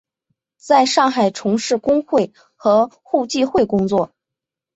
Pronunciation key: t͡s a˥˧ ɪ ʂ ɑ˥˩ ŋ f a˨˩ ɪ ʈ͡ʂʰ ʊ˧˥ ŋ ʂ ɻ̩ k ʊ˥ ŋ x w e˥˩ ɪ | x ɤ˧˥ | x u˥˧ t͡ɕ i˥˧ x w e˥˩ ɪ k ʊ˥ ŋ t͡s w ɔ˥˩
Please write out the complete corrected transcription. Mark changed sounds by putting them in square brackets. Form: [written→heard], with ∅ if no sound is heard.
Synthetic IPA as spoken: t͡s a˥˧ ɪ ʂ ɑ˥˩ ŋ [f→x] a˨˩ ɪ ʈ͡ʂʰ ʊ˧˥ ŋ ʂ ɻ̩ k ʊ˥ ŋ x w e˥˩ ɪ | x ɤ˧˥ | x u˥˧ t͡ɕ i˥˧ x w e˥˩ ɪ k ʊ˥ ŋ t͡s w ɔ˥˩